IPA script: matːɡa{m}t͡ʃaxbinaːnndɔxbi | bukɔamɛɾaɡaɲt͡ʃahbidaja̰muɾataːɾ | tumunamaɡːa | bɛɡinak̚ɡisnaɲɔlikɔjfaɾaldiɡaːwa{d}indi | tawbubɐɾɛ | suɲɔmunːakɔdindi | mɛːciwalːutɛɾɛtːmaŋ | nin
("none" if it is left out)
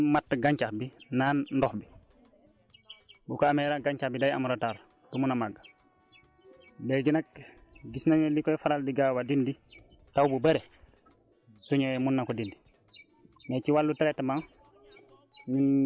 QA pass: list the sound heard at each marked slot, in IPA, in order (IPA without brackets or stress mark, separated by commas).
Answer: ɲ, d